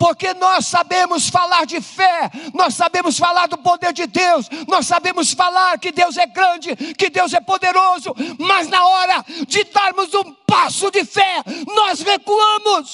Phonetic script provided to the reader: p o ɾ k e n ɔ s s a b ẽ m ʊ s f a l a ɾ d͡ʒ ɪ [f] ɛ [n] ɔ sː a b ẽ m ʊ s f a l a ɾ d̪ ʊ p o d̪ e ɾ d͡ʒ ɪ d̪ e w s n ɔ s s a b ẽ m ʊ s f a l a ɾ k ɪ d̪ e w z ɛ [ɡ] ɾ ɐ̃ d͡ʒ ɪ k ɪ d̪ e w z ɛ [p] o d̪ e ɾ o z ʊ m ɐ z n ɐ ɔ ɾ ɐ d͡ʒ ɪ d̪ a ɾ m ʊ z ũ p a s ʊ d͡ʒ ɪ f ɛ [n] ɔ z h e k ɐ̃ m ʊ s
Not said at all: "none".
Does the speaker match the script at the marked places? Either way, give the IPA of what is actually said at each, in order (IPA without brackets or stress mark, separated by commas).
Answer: f, n, ɡ, p, n